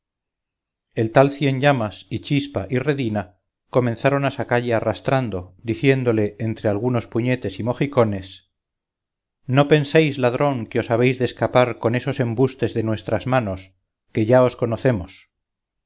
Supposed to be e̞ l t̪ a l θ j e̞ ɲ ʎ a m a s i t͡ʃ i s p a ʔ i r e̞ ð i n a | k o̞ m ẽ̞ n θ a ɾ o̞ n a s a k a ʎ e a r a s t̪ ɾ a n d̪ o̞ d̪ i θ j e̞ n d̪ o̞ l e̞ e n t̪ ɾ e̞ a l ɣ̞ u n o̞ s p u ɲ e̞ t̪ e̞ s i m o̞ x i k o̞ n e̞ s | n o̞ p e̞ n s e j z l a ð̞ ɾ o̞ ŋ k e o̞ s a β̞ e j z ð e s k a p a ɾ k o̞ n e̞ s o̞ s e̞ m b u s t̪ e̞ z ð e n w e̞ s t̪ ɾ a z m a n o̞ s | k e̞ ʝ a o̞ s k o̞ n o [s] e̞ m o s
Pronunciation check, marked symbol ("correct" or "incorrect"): incorrect